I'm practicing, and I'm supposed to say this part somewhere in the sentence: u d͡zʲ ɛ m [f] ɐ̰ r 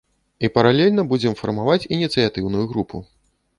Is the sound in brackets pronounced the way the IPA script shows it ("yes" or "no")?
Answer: yes